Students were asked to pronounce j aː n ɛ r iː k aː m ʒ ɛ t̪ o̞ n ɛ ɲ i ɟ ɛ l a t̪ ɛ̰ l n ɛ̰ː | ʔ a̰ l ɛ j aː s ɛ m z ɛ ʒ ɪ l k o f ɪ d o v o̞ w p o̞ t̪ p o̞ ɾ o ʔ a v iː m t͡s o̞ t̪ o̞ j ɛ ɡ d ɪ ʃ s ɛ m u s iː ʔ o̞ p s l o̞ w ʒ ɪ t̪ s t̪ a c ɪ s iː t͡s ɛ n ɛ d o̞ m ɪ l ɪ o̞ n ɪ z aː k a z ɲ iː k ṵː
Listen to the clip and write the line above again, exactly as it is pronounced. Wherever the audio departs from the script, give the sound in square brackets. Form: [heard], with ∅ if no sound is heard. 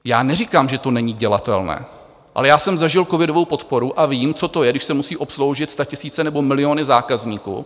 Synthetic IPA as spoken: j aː n ɛ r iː k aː m ʒ ɛ t̪ o̞ n ɛ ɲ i ɟ ɛ l a t̪ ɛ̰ l n ɛ̰ː | ʔ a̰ l ɛ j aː s ɛ m z [a] ʒ ɪ l k o [v] ɪ d o v o̞ w p o̞ t̪ p o̞ ɾ [u] ʔ a v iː m t͡s o̞ t̪ o̞ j ɛ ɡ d ɪ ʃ s ɛ m u s iː ʔ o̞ p s l o̞ w ʒ ɪ t̪ s t̪ a c ɪ s iː t͡s ɛ n ɛ [b] o̞ m ɪ l ɪ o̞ n ɪ z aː k a z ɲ iː k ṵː

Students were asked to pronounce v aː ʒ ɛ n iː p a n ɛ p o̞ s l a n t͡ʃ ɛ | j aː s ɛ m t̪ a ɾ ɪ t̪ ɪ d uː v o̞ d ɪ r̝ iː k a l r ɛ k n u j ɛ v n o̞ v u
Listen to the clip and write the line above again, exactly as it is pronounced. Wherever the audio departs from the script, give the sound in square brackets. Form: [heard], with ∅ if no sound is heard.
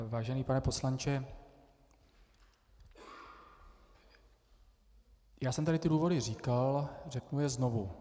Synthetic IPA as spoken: v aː ʒ ɛ n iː p a n ɛ p o̞ s l a n t͡ʃ ɛ | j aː s ɛ m t̪ a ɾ ɪ t̪ ɪ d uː v o̞ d ɪ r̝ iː k a l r ɛ k n u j ɛ [z] n o̞ v u

